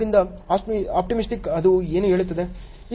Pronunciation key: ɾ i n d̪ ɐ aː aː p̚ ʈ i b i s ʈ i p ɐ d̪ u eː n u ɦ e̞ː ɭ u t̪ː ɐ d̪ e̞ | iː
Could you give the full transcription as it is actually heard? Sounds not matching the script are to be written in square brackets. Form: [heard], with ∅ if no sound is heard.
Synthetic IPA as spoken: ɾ i n d̪ ɐ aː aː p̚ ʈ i [m] i s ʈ i [k] ɐ d̪ u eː n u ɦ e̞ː ɭ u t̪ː ɐ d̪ e̞ | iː